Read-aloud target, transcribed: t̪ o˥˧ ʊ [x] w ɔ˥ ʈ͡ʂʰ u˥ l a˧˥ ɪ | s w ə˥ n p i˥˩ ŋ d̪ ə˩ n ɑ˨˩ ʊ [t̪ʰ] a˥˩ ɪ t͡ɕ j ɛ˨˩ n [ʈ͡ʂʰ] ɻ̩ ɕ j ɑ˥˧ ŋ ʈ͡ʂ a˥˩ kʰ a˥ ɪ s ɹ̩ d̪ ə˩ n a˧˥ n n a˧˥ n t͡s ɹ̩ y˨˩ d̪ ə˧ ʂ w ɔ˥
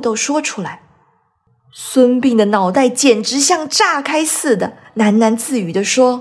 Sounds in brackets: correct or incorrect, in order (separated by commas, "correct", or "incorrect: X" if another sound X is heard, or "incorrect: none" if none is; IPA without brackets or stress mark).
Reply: incorrect: ʂ, incorrect: t̪, incorrect: ʈ͡ʂ